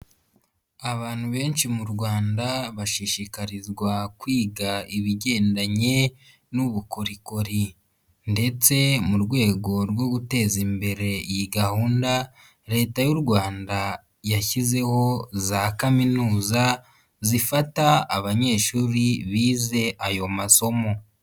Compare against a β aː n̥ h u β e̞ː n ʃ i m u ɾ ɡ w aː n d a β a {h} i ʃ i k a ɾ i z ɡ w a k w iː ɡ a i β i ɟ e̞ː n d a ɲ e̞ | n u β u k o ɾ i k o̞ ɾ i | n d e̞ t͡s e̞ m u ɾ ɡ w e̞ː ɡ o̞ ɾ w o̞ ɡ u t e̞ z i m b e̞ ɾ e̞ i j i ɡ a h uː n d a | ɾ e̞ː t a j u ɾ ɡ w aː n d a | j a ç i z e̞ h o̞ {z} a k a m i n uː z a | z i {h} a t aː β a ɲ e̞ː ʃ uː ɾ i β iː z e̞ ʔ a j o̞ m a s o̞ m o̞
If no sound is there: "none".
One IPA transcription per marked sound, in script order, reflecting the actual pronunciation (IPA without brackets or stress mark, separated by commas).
ʃ, z, f